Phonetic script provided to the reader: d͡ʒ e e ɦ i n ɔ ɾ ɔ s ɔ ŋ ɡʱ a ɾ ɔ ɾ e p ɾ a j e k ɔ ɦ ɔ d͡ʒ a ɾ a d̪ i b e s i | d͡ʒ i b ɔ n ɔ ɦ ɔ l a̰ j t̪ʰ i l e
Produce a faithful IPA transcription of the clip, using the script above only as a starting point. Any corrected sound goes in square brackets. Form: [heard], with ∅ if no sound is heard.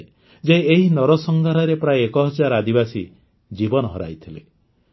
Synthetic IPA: d͡ʒ e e ɦ i n ɔ ɾ ɔ s ɔ ŋ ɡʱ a ɾ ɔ ɾ e p ɾ a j e k ɔ ɦ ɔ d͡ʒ a ɾ a d̪ i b [a] s i | d͡ʒ i b ɔ n ɔ ɦ ɔ [ɾ] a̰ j t̪ʰ i l e

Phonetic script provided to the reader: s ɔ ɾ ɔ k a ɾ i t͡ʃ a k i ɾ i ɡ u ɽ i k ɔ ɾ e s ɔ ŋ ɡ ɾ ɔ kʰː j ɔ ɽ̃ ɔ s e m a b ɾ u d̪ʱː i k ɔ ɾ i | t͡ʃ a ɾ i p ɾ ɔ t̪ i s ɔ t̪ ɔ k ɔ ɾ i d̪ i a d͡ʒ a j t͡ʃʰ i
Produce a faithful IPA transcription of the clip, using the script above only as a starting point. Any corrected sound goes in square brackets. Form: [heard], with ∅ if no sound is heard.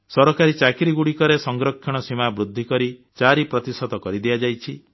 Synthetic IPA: s ɔ ɾ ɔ k a ɾ i t͡ʃ a k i ɾ i ɡ u ɽ i k ɔ ɾ e s ɔ ŋ ɡ ɾ ɔ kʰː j ɔ ɽ̃ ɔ s [i] m a b ɾ u d̪ʱː i k ɔ ɾ i | t͡ʃ a ɾ i p ɾ ɔ t̪ i s ɔ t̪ ɔ k ɔ ɾ i d̪ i a d͡ʒ a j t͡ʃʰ i

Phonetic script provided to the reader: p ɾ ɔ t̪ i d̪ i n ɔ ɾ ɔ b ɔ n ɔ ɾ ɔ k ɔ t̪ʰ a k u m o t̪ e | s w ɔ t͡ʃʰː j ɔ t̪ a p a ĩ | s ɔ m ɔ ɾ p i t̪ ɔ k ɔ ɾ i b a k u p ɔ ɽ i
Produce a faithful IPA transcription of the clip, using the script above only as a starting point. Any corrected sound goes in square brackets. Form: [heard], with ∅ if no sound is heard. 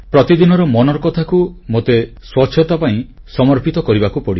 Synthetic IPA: p ɾ ɔ t̪ i d̪ i n ɔ ɾ ɔ [m] ɔ n ɔ ɾ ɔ k ɔ t̪ʰ a k u m o t̪ e | s w ɔ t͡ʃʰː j ɔ t̪ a p a ĩ | s ɔ m ɔ ɾ p i t̪ ɔ k ɔ ɾ i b a k u p ɔ ɽ i

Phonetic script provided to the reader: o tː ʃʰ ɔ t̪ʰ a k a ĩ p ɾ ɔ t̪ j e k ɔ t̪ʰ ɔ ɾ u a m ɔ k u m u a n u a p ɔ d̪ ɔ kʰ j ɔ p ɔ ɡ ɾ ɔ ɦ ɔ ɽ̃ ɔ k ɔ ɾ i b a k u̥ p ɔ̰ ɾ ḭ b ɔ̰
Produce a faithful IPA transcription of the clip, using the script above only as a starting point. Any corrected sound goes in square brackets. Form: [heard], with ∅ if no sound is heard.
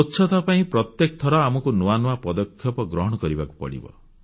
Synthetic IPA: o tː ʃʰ ɔ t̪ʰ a [p] a ĩ p ɾ ɔ t̪ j e k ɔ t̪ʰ ɔ ɾ [ɔ] a m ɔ k u [n] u a n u a p ɔ d̪ ɔ kʰ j ɔ p ɔ ɡ ɾ ɔ ɦ ɔ ɽ̃ ɔ k ɔ ɾ i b a k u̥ p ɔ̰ [ɽ] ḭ b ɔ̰

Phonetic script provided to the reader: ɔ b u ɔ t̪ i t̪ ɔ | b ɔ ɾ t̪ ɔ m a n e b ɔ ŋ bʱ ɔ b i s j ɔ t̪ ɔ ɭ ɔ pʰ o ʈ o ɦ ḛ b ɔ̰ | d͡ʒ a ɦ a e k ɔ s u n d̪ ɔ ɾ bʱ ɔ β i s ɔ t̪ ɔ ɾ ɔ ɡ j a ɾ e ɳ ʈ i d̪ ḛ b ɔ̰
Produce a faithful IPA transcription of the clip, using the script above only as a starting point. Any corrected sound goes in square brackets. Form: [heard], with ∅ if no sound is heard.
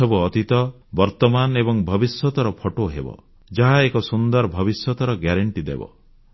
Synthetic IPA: ɔ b u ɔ t̪ i t̪ ɔ | b ɔ ɾ t̪ ɔ m a n e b ɔ ŋ bʱ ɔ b i s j ɔ t̪ ɔ [ɾ] ɔ pʰ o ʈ o ɦ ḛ b ɔ̰ | d͡ʒ a ɦ a e k ɔ s u n d̪ ɔ ɾ bʱ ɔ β i s ɔ t̪ ɔ ɾ ɔ ɡ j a ɾ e ɳ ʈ i d̪ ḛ b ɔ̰

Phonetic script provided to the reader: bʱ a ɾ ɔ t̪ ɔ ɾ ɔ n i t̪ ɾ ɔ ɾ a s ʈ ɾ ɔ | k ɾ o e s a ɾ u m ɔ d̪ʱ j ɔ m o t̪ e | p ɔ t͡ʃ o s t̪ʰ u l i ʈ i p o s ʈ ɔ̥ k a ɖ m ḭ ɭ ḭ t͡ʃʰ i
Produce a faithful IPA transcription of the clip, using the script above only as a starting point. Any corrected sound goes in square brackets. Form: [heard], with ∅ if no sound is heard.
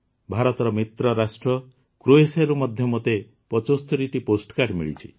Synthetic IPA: bʱ a ɾ ɔ t̪ ɔ ɾ ɔ [m] i t̪ ɾ ɔ ɾ a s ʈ ɾ ɔ | k ɾ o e s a ɾ u m ɔ d̪ʱ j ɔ m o t̪ e | p ɔ t͡ʃ o s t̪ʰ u [ɾ] i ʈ i p o s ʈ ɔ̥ k a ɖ m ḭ ɭ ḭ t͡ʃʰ i

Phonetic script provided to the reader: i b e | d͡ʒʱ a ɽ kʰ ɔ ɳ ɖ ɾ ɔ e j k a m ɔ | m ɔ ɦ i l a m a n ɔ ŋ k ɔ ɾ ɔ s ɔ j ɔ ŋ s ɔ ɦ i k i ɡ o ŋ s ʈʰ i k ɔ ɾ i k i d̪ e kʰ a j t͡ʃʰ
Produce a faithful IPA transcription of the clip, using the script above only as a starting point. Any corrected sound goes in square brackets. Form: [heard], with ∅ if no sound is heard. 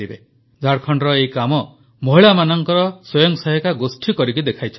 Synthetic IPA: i b e | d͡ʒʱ a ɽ kʰ ɔ ɳ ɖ ɾ ɔ e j k a m ɔ | m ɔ ɦ i [ɭ] a m a n ɔ ŋ k ɔ ɾ ɔ s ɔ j ɔ ŋ s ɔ ɦ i k [a] ɡ o [∅] s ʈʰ i k ɔ ɾ i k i d̪ e kʰ a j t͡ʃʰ

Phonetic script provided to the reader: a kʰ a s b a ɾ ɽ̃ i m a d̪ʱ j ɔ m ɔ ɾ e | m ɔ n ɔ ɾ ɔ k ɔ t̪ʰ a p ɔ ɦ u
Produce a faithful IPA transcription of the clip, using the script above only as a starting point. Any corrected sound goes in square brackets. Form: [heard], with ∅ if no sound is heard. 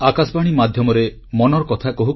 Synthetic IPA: a [k] a s b a [∅] ɽ̃ i m a d̪ʱ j ɔ m ɔ ɾ e | m ɔ n ɔ ɾ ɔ k ɔ t̪ʰ a [k] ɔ ɦ u

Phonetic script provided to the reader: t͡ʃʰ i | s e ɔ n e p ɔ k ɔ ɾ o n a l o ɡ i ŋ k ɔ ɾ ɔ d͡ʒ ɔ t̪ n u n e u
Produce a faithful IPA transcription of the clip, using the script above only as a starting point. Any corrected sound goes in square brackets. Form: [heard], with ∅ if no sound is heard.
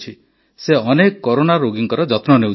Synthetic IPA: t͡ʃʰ i | s e ɔ n e [k] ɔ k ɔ ɾ o n a [ɾ] o ɡ i ŋ k ɔ ɾ ɔ d͡ʒ ɔ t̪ n [ɔ] n e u

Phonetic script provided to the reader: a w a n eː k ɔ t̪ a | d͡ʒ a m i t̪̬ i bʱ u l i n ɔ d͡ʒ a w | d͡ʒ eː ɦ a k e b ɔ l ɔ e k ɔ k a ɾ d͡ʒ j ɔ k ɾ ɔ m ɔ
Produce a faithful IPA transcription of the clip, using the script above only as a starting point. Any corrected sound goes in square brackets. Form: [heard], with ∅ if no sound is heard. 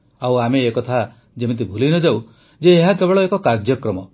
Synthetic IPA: a w a [m] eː k ɔ [t̪ʰ] a | d͡ʒ [e] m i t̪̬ i bʱ u l i n ɔ d͡ʒ a w | d͡ʒ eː ɦ a k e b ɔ [ɭ] ɔ e k ɔ k a ɾ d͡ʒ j ɔ k ɾ ɔ m ɔ

